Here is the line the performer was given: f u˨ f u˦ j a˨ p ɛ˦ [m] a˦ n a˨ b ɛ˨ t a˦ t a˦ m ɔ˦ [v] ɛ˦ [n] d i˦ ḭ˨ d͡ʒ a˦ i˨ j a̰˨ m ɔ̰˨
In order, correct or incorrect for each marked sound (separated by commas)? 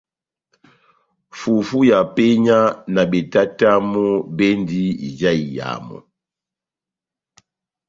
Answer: incorrect, incorrect, correct